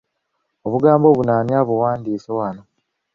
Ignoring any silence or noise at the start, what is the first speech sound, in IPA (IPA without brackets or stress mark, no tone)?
o̞